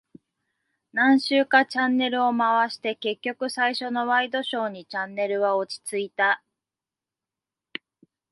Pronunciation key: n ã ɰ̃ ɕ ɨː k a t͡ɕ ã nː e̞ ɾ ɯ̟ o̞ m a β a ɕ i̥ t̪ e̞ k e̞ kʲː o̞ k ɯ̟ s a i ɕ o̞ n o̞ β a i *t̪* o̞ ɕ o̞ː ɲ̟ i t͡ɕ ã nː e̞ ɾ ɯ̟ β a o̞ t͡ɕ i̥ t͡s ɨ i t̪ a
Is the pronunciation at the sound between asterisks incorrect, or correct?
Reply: incorrect